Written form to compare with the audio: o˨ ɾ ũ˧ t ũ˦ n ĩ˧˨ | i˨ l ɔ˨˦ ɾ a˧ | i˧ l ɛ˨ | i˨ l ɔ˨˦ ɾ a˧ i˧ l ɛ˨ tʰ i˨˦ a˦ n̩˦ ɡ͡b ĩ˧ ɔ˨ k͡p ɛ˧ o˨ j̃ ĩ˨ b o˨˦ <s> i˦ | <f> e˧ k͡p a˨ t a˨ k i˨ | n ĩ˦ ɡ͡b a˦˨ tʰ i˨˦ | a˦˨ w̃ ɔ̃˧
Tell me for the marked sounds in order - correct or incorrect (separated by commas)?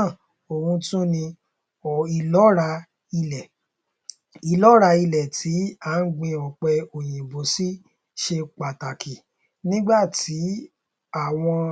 correct, incorrect